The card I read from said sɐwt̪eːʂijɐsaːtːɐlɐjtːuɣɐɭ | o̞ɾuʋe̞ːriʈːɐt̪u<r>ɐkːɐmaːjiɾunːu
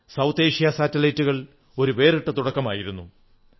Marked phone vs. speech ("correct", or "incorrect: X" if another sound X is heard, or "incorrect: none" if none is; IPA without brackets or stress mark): incorrect: ɽ